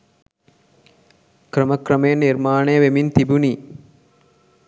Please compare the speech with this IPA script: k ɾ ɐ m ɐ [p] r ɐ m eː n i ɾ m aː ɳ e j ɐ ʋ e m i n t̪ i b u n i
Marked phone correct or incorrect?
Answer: incorrect